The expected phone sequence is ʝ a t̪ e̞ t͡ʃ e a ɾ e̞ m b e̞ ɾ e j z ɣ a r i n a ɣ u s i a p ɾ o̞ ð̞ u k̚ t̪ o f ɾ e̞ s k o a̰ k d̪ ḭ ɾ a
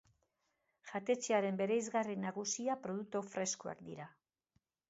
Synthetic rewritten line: ʝ a t̪ e̞ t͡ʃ e a ɾ e̞ m b e̞ ɾ e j z ɣ a r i n a ɣ u s i a p ɾ o̞ ð̞ u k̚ t̪ o f ɾ e̞ s k o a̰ k d̪ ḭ ɾ a